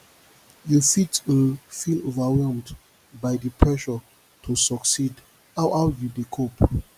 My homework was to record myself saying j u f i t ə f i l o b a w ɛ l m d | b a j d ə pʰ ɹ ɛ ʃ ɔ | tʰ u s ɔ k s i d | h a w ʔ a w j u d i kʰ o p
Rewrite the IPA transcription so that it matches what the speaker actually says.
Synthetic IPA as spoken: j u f i t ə f i l o v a w ɛ l m d | b a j d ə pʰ ɹ ɛ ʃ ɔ | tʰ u s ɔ k s i d | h a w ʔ a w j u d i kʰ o p